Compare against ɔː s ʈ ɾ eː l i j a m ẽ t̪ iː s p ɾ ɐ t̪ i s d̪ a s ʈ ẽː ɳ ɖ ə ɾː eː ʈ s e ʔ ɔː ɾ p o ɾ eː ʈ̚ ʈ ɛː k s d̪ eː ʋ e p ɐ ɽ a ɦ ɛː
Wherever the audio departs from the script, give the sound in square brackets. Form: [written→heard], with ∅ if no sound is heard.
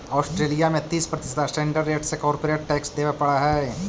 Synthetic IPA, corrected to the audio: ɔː s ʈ ɾ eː l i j a m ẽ t̪ iː s p ɾ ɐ t̪ [i→ɪ] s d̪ a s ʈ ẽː ɳ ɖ ə ɾː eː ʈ s e [ʔ→k] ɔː ɾ p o ɾ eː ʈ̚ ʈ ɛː k s d̪ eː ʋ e p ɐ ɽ a ɦ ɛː